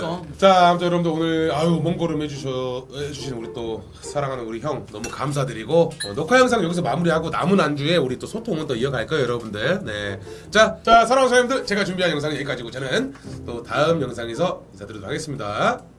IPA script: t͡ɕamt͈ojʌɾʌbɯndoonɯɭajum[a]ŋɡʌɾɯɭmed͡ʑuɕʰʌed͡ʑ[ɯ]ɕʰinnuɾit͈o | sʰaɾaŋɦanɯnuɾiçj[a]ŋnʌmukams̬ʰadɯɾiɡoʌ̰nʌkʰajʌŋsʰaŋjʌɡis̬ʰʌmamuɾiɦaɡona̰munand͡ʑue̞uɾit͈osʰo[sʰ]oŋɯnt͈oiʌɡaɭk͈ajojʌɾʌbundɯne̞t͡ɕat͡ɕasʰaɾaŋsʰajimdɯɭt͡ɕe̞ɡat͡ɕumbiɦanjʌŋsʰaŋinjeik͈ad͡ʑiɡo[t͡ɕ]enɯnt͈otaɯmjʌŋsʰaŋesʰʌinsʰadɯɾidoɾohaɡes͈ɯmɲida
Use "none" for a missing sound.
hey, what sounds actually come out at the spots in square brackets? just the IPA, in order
ʌ, u, ʌ, tʰ, t͡ɕ

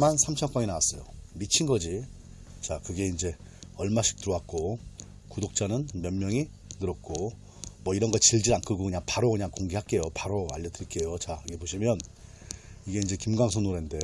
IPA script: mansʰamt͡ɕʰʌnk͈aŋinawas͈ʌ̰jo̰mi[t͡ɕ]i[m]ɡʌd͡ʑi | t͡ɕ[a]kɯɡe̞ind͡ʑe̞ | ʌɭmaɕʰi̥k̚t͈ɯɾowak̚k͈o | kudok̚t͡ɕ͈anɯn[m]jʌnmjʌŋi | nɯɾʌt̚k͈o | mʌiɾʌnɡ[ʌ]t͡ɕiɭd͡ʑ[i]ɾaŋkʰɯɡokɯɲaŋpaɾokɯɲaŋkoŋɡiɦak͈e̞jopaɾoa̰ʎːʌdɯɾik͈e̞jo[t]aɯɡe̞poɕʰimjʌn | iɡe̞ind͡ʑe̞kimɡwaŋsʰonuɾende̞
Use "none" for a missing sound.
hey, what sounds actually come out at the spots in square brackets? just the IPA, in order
t͡ɕʰ, n, a, m, ʌ, i, t͡ɕ

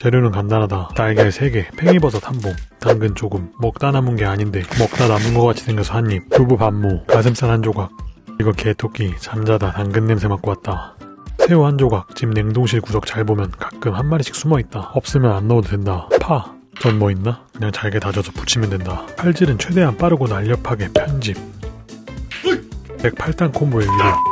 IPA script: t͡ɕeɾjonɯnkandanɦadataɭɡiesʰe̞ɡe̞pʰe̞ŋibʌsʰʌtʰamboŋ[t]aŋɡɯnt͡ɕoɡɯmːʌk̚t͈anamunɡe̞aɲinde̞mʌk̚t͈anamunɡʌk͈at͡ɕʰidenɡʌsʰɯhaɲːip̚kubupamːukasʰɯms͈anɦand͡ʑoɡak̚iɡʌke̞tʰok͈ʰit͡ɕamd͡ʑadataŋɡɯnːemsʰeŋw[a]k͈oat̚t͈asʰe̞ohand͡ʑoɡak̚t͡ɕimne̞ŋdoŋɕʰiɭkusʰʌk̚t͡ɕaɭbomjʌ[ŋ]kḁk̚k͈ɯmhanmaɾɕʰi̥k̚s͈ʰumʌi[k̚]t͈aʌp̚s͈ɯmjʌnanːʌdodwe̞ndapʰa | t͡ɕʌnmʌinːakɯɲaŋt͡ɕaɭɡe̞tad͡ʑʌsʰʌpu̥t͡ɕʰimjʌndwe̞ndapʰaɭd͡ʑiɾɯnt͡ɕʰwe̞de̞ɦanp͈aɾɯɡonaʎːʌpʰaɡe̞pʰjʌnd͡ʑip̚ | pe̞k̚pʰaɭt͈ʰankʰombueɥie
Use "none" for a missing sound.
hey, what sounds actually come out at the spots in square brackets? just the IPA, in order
t, a, n, t̚

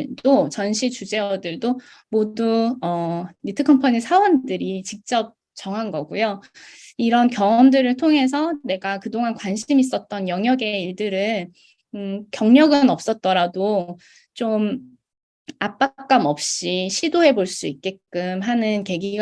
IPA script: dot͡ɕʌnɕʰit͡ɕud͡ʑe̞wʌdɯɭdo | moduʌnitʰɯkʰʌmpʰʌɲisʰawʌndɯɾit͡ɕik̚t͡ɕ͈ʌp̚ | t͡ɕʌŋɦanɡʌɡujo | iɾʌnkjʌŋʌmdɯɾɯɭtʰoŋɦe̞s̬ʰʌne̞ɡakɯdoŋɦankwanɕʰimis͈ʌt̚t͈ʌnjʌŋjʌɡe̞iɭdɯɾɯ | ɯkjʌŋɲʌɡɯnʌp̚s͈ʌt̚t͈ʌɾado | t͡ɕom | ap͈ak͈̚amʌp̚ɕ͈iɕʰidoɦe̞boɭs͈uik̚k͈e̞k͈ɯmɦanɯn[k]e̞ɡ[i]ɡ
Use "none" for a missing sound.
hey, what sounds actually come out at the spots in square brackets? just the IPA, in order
k, i

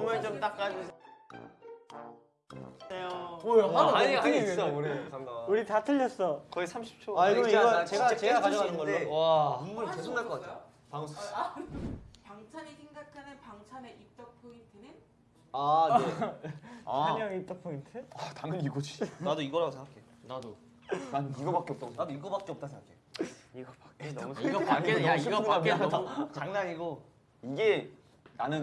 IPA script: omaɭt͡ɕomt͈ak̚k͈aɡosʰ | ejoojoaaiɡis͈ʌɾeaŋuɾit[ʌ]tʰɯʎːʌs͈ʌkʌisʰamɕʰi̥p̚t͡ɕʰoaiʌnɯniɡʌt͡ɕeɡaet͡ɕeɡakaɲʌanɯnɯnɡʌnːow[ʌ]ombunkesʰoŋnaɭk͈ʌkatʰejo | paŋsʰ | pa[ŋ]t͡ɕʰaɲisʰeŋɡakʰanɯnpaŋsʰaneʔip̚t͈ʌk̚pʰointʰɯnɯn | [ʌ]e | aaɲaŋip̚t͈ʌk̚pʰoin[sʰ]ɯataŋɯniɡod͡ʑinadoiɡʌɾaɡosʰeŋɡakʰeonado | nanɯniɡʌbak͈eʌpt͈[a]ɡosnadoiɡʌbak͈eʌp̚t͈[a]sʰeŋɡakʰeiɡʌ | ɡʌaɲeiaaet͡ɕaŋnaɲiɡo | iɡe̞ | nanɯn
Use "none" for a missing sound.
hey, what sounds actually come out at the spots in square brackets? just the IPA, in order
a, a, ŋ, a, tʰ, a, a

